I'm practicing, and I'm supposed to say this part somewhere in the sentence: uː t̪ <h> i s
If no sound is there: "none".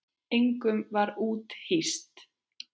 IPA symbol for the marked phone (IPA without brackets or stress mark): h